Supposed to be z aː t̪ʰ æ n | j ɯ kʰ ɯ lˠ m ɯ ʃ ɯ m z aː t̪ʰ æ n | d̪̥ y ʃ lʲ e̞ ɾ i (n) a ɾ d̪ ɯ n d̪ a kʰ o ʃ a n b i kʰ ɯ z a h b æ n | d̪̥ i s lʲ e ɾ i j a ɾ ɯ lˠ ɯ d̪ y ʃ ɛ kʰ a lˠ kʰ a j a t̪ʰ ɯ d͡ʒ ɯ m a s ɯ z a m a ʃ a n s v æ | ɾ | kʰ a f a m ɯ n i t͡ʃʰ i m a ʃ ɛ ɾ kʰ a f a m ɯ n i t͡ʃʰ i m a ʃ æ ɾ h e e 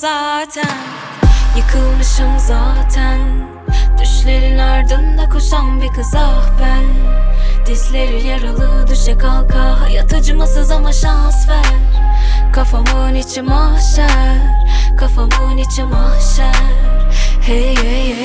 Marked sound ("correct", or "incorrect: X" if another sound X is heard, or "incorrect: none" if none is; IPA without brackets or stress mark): correct